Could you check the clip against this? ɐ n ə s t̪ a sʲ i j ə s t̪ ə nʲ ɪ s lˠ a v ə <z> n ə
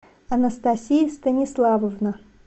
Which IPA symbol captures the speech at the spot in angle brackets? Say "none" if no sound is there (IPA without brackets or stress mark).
v